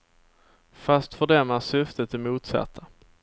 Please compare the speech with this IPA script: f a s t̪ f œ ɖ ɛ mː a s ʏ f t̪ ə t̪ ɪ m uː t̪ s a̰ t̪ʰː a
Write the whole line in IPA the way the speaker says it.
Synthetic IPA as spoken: f a s t̪ f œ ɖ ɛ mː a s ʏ f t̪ ə t̪ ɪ m uː t̪ s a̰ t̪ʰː a